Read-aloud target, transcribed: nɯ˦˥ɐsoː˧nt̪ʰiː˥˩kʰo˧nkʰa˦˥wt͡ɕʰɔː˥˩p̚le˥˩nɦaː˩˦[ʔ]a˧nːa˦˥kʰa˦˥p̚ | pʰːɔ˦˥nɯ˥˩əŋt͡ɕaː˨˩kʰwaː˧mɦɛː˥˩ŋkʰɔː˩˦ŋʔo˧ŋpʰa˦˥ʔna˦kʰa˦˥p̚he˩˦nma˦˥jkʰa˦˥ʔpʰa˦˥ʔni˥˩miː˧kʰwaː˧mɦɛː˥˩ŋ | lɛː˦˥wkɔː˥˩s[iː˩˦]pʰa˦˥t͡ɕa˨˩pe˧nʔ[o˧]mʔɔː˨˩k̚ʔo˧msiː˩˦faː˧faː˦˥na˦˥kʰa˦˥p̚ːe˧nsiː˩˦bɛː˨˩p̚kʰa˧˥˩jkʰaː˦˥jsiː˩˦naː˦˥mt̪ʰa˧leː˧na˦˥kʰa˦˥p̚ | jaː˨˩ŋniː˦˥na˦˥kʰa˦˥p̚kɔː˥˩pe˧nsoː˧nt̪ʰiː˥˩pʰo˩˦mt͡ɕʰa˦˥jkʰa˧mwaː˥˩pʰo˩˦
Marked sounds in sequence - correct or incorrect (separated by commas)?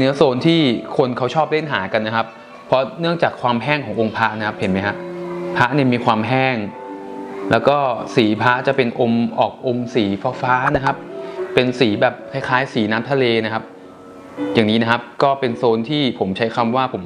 incorrect, correct, correct